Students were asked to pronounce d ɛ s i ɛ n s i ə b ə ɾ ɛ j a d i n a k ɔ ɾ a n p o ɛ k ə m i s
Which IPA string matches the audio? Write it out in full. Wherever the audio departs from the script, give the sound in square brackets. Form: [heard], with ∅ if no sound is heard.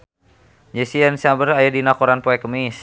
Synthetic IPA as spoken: [d͡ʒ] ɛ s i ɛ n s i [a] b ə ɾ [a] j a d i n a k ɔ ɾ a n p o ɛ k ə m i s